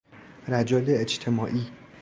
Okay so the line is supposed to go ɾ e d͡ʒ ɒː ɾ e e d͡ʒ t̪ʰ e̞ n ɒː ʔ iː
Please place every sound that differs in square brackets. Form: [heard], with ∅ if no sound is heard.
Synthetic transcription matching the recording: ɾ [æ] d͡ʒ ɒː [l] e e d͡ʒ t̪ʰ e̞ [m] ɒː ʔ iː